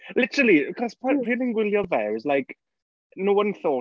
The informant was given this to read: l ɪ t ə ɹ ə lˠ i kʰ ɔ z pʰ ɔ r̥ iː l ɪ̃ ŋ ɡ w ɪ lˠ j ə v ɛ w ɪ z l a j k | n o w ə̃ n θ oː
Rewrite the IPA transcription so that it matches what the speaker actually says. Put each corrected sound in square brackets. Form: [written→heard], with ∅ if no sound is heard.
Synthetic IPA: l ɪ t ə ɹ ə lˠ i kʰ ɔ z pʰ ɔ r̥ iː l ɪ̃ ŋ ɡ w ɪ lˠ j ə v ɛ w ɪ z l a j k | n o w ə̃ n θ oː